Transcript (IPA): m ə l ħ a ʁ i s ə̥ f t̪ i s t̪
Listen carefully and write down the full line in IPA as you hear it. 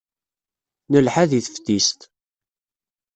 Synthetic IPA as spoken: n ə l ħ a ð i θ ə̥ f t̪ i s t̪